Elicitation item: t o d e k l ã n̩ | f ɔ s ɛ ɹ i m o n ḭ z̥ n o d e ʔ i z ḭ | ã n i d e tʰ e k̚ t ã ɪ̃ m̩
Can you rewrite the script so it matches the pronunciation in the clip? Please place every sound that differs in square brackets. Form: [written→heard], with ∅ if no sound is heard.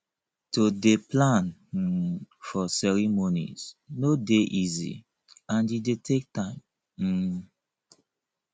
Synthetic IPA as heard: t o d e [k→p] l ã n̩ | f ɔ s ɛ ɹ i m o n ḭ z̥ n o d e ʔ i z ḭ | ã n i d e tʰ e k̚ t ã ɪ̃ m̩